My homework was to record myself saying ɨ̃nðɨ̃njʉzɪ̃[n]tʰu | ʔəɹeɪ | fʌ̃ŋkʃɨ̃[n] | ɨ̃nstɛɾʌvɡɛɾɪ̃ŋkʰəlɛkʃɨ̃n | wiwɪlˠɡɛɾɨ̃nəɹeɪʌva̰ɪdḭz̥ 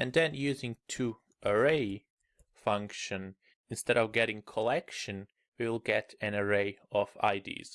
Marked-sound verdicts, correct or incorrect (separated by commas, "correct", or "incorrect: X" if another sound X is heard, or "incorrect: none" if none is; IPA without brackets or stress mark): incorrect: ŋ, correct